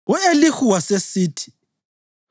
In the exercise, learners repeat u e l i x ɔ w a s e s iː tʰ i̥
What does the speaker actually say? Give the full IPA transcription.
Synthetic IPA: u e l i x u w a s e s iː tʰ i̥